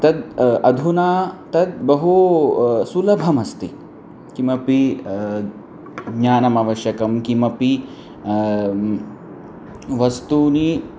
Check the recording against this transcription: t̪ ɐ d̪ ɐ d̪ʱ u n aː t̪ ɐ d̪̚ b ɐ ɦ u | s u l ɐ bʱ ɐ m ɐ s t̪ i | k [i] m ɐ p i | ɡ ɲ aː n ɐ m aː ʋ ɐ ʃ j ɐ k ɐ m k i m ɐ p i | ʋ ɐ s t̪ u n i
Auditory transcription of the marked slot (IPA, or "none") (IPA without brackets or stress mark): i